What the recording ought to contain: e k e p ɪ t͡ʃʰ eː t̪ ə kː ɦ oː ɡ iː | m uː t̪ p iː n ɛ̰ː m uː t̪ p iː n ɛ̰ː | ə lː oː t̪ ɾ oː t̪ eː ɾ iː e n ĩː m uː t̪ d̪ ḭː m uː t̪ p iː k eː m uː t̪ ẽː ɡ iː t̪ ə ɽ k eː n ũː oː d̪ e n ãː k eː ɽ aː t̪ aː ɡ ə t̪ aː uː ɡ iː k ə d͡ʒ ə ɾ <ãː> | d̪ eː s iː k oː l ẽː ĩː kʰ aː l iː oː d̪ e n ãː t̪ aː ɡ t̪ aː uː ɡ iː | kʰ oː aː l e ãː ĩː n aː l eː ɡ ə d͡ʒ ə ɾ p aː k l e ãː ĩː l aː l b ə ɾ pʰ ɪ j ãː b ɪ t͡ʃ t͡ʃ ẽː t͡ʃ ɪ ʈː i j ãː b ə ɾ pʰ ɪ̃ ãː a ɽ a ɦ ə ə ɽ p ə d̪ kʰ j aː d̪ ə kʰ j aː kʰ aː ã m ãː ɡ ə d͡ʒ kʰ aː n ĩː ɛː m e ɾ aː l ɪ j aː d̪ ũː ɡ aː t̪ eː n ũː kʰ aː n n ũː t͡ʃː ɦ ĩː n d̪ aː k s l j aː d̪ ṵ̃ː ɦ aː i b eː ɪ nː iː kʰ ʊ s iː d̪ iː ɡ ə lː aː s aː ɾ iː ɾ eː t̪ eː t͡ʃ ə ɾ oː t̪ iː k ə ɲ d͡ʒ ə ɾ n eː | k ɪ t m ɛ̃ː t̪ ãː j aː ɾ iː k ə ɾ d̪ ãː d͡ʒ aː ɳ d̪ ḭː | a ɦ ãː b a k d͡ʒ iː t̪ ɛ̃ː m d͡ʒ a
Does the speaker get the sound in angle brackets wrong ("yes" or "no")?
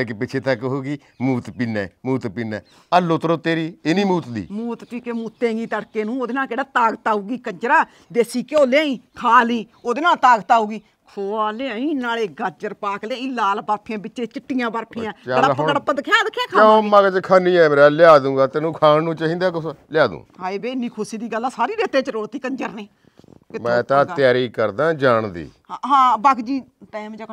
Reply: yes